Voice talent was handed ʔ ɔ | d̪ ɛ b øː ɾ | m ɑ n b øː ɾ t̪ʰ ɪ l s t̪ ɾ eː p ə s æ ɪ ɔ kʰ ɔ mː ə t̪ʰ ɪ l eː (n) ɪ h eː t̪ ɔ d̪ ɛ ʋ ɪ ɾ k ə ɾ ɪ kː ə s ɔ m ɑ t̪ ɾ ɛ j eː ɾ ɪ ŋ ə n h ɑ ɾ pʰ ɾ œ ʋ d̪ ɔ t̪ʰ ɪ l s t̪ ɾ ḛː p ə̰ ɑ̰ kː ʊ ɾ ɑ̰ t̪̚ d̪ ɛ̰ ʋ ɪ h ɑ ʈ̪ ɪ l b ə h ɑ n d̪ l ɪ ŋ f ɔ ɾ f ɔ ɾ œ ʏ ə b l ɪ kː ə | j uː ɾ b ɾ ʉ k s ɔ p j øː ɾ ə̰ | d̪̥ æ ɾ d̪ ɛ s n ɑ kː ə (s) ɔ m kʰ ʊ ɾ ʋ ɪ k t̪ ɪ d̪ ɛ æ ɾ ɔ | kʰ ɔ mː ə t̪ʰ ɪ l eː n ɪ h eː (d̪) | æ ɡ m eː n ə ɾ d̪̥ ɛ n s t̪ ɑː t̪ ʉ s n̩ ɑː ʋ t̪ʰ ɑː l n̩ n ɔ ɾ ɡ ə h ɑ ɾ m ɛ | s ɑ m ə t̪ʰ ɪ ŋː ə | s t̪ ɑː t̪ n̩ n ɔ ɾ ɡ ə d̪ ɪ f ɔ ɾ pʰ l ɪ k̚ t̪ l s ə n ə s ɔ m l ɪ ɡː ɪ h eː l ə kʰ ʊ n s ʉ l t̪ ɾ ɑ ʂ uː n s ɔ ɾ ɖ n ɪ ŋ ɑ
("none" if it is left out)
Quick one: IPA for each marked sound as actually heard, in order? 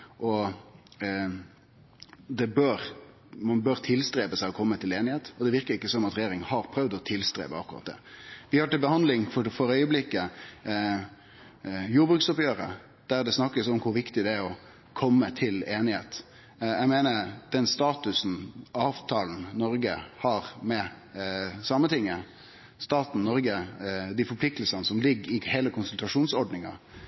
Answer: n, s, t̪

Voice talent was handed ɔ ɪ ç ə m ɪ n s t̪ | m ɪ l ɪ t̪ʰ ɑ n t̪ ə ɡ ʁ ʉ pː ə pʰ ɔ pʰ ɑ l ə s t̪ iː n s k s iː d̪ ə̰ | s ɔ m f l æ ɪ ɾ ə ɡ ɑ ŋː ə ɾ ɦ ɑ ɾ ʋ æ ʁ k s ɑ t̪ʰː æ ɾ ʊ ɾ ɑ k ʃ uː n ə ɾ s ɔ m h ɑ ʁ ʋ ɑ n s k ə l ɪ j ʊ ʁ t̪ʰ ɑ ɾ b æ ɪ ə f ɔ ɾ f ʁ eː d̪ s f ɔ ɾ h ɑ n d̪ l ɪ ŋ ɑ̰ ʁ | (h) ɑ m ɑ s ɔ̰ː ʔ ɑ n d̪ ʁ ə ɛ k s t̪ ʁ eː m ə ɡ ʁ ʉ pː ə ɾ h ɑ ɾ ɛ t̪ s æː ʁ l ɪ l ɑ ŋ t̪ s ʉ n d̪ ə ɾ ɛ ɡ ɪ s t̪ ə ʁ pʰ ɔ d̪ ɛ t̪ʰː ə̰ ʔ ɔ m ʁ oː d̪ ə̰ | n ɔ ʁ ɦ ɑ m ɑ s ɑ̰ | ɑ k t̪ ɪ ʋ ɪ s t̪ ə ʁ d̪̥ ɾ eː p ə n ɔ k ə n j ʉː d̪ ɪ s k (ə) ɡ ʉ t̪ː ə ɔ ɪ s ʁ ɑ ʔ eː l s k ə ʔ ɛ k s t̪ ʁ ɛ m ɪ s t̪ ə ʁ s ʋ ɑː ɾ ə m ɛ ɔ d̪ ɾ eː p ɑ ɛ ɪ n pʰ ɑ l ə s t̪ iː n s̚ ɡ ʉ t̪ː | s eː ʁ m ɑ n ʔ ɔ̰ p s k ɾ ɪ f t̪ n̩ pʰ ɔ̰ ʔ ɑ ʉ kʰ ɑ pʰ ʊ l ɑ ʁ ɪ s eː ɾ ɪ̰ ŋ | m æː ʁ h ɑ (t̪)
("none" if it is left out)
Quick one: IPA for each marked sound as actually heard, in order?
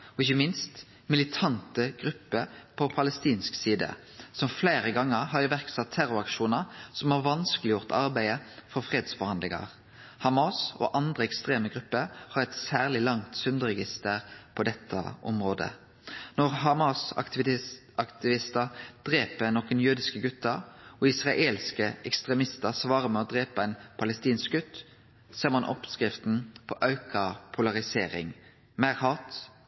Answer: h, ə, t̪

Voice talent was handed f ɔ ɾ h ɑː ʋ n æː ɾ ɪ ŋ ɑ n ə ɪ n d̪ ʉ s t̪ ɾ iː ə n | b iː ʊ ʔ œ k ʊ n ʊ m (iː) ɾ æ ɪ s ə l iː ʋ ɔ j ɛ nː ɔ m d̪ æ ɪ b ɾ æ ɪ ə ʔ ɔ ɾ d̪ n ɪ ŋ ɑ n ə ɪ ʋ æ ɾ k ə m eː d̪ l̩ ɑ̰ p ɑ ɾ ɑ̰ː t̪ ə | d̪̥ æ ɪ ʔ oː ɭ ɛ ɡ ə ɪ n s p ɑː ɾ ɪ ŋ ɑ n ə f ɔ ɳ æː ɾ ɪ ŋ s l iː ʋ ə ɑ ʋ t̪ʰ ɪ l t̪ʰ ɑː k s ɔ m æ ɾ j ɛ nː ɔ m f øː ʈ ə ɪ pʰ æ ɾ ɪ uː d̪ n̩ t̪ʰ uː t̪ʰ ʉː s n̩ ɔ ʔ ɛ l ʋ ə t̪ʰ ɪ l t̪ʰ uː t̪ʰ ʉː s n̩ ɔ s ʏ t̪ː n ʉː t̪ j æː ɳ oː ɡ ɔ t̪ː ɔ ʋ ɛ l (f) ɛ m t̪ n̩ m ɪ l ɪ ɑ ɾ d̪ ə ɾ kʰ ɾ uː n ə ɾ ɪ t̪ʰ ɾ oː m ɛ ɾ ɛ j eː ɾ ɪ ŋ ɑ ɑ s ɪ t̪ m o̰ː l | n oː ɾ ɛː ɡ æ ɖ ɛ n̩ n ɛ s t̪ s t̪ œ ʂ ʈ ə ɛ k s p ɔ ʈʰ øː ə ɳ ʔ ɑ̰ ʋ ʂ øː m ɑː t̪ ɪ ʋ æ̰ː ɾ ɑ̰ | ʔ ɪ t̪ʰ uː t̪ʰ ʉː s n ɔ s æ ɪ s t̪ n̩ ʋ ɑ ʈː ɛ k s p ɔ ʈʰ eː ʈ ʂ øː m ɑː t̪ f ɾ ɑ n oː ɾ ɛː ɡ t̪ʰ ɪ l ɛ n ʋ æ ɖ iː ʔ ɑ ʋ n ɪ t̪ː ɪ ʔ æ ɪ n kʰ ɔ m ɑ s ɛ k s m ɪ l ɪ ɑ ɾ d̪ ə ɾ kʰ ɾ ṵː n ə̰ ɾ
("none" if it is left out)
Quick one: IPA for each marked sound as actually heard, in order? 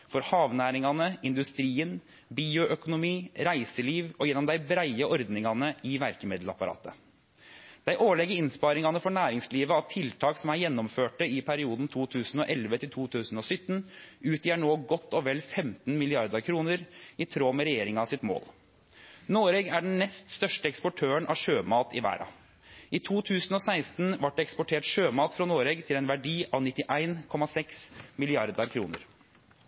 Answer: iː, f

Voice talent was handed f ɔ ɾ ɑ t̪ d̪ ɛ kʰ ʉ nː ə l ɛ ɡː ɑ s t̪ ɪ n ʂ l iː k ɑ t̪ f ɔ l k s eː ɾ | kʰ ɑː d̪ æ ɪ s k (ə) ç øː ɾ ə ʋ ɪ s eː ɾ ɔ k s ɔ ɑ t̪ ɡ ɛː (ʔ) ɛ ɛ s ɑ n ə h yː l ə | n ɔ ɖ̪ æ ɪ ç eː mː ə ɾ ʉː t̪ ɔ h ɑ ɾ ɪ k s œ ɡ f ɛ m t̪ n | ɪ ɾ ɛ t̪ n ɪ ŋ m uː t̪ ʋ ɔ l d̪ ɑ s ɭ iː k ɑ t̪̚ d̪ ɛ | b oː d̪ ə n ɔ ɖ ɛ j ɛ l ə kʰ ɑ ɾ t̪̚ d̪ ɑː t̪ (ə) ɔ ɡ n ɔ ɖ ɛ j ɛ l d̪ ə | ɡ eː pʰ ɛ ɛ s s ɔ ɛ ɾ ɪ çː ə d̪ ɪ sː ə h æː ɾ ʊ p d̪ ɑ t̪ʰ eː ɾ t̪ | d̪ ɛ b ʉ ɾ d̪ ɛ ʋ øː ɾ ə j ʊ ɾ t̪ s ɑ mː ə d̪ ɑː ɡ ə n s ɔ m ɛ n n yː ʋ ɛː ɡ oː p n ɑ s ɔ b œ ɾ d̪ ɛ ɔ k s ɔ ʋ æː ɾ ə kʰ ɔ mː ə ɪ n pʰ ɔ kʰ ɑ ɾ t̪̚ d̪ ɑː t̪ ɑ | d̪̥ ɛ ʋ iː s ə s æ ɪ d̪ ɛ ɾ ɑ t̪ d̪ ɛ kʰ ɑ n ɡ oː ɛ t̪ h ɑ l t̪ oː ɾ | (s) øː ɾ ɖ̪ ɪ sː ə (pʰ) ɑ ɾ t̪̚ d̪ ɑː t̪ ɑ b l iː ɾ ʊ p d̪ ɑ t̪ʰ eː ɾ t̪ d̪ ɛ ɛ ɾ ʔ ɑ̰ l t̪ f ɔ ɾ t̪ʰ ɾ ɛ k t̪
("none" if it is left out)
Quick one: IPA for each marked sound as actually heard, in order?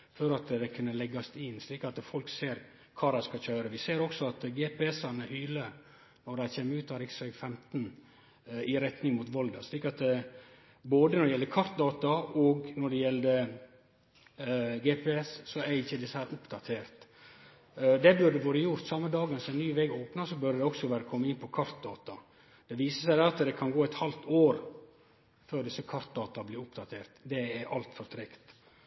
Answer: ɑ, p, ɑ, f, kʰ

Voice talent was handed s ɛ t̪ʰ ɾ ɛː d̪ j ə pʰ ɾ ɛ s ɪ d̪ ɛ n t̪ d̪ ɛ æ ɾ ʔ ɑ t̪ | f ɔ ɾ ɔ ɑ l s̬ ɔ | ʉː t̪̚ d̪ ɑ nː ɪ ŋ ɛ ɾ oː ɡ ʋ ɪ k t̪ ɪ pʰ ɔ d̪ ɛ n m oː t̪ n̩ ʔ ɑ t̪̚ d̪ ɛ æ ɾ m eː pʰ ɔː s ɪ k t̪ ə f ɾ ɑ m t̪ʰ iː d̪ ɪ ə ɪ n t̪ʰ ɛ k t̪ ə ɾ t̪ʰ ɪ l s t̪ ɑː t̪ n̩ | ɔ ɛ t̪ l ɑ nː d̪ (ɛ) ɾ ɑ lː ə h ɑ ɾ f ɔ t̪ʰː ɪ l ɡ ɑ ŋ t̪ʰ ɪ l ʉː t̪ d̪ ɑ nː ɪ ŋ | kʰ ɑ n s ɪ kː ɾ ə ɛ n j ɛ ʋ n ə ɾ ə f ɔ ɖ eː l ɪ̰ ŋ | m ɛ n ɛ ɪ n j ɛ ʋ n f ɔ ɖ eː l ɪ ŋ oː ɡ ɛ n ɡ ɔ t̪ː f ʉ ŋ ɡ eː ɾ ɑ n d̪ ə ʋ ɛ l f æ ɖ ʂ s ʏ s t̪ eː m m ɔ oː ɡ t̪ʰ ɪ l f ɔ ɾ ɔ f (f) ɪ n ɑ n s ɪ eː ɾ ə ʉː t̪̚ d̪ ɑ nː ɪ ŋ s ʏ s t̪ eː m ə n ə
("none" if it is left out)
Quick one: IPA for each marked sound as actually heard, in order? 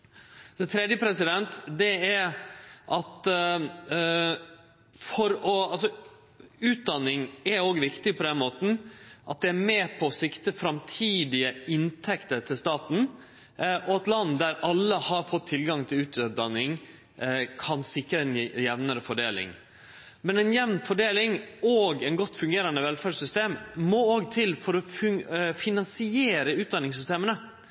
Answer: æ, f

